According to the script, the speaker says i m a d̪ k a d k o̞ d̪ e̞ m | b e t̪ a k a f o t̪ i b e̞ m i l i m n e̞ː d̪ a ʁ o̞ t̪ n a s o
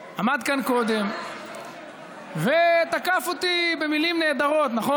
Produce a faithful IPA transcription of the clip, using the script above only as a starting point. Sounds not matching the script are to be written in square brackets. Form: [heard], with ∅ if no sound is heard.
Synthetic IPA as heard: [a] m a d̪ k a [n] k o̞ d̪ e̞ m | [v] e t̪ a k a f o t̪ i b e̞ m i l i m n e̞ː d̪ a ʁ o̞ t̪ n a [χ] o

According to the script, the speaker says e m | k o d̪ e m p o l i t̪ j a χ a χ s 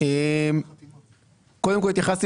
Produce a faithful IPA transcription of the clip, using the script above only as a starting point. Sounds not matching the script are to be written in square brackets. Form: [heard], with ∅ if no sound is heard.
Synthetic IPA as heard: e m | k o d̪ e m [k] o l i t̪ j a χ a [∅] s

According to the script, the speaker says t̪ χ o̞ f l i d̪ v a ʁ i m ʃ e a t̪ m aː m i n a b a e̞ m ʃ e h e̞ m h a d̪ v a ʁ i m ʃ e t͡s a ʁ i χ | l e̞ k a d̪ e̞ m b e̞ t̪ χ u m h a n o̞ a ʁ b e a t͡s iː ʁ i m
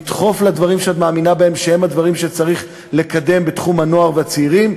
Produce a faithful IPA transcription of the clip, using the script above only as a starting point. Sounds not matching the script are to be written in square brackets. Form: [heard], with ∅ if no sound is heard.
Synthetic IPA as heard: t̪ χ o̞ f l [a] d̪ v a ʁ i m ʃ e a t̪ m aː m i n a b a e̞ m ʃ e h e̞ m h a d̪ v a ʁ i m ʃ e t͡s a ʁ i χ | l e̞ k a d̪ e̞ m b e̞ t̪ χ u m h a n o̞ a ʁ [v] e a t͡s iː ʁ i m

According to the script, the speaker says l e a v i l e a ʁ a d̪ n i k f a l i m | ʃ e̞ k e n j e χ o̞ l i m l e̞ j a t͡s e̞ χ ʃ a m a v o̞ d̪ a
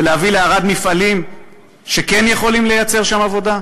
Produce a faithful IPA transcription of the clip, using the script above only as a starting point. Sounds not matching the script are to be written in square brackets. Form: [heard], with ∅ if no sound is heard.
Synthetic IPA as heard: l e a v i l e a ʁ a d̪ [m] i [∅] f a l i m | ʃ e̞ k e n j e χ o̞ l i m l e̞ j a t͡s e̞ [ʁ] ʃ a m a v o̞ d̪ a

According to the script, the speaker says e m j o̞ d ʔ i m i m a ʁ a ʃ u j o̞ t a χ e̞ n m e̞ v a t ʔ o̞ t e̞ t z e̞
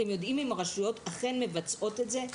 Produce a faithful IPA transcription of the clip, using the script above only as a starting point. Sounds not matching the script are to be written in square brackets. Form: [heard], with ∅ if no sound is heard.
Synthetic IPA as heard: e m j o̞ d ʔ i m i m a ʁ a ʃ u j o̞ t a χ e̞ n m e̞ v a [t͡s] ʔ o̞ t e̞ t z e̞

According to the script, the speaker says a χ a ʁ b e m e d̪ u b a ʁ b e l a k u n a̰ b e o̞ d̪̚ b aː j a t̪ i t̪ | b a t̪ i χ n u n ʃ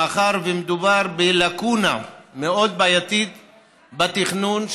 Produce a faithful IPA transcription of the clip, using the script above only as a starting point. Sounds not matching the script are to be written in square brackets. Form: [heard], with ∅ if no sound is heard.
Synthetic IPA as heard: a χ a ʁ [v] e m e d̪ u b a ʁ b e l a k u n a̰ [m] e o̞ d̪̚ b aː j a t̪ i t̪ | b a t̪ i χ n u n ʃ

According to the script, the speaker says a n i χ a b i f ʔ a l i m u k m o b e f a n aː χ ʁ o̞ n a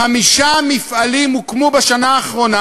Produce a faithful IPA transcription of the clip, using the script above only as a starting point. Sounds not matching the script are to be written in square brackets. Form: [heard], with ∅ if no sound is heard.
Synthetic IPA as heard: a [m] i [ʃ] a [m] i f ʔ a l i m u k m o b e [ʃ] a n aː χ ʁ o̞ n a

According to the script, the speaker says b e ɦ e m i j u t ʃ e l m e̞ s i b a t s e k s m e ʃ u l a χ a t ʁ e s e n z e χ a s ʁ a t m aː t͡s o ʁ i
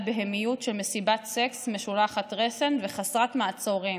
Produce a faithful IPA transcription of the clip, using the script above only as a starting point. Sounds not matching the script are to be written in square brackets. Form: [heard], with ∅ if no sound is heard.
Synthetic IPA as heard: b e ɦ e m i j u t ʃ e l m e̞ s i b a t s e k s m e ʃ u l a χ a t ʁ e s e n [v] e χ a s ʁ a t m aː t͡s o ʁ i

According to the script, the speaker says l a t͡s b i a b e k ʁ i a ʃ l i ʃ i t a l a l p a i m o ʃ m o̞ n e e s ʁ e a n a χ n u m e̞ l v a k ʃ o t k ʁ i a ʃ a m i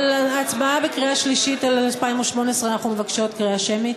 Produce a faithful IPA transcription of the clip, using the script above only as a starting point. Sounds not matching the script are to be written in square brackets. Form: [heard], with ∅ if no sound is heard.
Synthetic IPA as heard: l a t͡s b [a] a b e k ʁ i a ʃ l i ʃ i t a l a l p a i m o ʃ m o̞ n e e s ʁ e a n a χ n u m e̞ [∅] v a k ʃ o t k ʁ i a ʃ [e] m i

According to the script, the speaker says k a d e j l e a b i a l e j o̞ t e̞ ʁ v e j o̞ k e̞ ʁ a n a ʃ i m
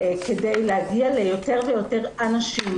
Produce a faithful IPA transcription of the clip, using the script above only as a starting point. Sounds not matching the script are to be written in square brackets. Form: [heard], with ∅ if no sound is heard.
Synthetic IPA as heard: k [e] d e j l e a [ɡ] i a l e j o̞ t e̞ ʁ v e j o̞ [t] e̞ ʁ a n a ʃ i m

